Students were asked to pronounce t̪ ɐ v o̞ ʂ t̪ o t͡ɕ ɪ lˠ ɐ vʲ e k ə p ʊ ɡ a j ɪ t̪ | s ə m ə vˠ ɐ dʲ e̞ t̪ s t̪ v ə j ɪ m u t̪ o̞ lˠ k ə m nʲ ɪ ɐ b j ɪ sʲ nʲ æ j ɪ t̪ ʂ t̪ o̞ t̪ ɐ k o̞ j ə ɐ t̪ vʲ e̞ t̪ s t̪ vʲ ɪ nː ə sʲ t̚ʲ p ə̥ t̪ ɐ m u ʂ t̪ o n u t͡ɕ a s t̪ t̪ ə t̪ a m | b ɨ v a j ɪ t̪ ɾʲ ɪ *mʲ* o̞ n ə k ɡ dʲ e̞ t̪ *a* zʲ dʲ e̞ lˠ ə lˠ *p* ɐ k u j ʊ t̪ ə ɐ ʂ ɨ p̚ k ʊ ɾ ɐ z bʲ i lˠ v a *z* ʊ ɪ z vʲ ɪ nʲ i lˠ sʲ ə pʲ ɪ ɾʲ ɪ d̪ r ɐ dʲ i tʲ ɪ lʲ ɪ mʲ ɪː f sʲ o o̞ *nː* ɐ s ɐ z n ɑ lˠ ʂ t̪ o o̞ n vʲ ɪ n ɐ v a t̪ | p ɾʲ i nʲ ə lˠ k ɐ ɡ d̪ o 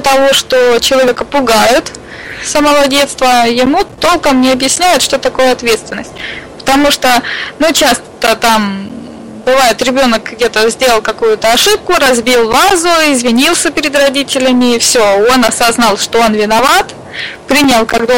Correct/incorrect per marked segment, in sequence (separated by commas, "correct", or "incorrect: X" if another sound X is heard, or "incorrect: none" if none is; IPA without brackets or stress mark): incorrect: bʲ, incorrect: ə, incorrect: k, correct, incorrect: n